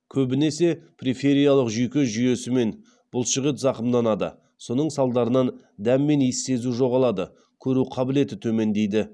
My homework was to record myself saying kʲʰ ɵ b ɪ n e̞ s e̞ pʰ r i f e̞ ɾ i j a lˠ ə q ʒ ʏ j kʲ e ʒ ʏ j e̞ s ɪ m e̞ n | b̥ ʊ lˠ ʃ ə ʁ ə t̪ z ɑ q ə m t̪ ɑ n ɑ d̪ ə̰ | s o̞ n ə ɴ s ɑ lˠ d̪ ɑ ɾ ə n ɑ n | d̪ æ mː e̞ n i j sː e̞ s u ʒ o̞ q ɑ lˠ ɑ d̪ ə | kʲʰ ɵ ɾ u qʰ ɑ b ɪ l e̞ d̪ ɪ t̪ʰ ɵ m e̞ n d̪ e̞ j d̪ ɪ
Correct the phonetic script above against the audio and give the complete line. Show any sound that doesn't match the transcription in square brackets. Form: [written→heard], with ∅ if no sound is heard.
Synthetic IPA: kʲʰ ɵ b ɪ n e̞ s e̞ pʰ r i f e̞ ɾ i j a lˠ ə q ʒ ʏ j kʲ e ʒ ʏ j e̞ s ɪ m e̞ n | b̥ ʊ lˠ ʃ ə ʁ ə t̪ z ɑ q ə m [t̪→d̪] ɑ n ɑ d̪ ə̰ | s o̞ n ə ɴ s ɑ lˠ d̪ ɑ ɾ ə n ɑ n | d̪ æ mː e̞ n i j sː e̞ [s→z] u ʒ o̞ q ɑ lˠ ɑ d̪ ə | kʲʰ ɵ ɾ u qʰ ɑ b ɪ l e̞ [d̪→t̪] ɪ t̪ʰ ɵ m e̞ n d̪ e̞ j d̪ ɪ